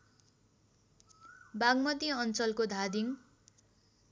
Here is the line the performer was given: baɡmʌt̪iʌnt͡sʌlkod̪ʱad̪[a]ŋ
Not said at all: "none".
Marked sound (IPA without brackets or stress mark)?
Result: i